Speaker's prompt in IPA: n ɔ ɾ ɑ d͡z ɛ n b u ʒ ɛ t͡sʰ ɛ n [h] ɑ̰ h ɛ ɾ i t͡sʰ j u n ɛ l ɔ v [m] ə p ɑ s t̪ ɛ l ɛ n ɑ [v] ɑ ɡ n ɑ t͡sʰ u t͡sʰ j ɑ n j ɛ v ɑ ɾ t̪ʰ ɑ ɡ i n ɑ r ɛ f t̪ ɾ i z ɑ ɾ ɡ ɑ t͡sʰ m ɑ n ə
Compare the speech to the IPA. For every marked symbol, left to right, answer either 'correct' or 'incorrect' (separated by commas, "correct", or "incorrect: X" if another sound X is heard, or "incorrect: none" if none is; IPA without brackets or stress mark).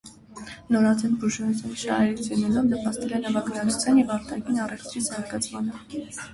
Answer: incorrect: ʃ, incorrect: n, correct